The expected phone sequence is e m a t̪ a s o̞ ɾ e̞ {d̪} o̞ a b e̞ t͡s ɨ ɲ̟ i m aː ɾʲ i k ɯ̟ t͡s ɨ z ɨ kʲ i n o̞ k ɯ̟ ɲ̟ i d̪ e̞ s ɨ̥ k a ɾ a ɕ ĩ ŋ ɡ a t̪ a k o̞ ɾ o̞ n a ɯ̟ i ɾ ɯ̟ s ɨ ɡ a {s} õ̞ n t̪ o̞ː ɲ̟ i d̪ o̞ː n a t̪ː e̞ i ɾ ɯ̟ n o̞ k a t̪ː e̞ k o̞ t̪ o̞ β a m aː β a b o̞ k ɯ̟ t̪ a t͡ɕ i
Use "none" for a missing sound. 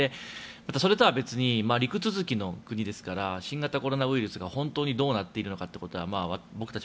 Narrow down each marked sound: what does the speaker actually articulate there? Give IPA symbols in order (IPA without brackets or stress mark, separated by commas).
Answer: t̪, h